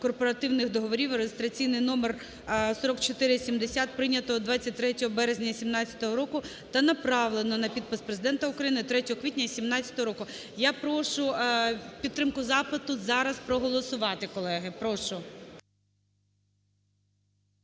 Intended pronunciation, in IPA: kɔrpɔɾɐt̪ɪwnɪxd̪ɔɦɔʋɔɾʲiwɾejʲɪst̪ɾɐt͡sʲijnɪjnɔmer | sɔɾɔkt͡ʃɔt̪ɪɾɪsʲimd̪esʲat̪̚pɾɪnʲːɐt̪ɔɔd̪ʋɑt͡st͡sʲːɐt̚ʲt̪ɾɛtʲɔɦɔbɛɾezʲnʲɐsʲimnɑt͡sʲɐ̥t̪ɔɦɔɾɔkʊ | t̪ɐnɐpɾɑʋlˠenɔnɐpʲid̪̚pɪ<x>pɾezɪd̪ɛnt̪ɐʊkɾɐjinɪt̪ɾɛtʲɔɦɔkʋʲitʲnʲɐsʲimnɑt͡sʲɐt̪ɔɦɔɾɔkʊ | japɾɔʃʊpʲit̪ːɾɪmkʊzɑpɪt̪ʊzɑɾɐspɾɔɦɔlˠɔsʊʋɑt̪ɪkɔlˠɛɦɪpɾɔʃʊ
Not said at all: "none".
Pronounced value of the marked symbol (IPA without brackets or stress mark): s